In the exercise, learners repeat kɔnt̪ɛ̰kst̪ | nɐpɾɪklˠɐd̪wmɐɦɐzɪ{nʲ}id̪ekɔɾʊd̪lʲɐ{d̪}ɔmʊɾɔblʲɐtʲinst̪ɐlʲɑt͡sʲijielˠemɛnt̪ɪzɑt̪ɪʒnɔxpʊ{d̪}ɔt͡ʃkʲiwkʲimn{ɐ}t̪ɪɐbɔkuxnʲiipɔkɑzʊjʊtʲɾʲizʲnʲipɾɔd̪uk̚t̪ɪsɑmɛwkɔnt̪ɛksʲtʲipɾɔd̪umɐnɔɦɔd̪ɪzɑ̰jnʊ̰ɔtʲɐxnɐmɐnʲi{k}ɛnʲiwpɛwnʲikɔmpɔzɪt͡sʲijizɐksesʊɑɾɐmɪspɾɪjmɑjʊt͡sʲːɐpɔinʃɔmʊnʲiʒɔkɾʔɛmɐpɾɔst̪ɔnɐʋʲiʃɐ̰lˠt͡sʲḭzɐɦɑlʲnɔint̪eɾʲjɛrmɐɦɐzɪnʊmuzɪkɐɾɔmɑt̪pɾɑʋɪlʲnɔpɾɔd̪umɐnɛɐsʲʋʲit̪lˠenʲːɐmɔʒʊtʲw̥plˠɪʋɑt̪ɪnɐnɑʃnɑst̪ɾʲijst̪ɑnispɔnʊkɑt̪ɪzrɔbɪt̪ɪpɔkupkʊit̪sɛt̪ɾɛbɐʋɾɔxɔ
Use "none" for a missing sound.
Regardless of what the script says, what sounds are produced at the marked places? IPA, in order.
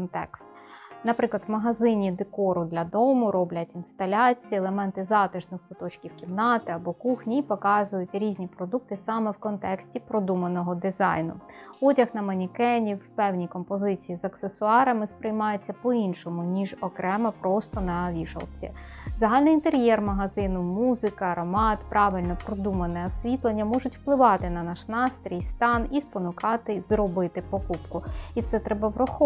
nʲ, d̪, t̪, ɑ, k

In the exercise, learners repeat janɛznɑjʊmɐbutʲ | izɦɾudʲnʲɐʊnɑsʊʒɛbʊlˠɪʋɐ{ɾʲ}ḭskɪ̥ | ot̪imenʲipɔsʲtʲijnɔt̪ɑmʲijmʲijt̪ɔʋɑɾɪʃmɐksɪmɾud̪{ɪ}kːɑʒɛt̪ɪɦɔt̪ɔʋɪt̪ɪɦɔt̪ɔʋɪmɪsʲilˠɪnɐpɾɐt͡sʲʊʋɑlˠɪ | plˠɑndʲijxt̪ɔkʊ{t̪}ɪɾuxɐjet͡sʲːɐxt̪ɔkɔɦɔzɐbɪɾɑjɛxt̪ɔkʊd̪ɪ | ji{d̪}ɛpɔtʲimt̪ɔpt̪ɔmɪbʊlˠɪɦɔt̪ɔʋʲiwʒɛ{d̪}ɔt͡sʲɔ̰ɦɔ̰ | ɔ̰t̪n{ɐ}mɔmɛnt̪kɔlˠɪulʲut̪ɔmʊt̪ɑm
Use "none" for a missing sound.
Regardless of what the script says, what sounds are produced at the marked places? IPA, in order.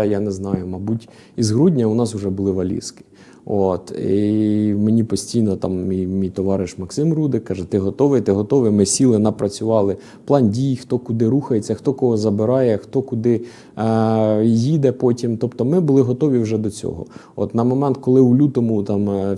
lʲ, ɪ, d̪, d̪, d̪, ɐ

